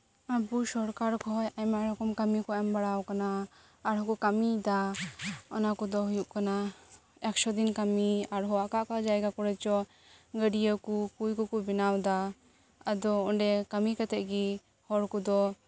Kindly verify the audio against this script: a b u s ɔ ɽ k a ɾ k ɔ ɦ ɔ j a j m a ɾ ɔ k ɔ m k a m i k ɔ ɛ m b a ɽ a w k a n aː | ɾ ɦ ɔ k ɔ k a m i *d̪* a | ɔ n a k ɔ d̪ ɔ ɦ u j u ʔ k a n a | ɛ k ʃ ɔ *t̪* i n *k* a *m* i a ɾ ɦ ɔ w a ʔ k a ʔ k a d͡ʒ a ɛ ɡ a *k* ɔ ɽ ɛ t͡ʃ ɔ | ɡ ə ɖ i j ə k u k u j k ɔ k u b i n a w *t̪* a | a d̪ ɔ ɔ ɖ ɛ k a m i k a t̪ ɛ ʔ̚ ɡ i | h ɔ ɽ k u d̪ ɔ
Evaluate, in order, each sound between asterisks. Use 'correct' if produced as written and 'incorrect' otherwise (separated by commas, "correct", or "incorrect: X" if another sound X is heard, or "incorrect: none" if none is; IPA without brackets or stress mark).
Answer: correct, incorrect: d̪, correct, correct, correct, incorrect: d̪